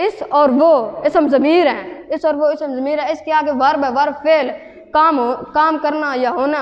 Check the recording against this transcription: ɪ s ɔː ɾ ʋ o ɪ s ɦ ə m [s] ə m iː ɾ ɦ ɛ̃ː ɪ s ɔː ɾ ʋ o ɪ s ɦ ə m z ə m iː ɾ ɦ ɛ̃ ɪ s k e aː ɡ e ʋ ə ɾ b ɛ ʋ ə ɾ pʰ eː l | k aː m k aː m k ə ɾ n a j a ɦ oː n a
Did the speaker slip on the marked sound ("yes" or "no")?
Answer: yes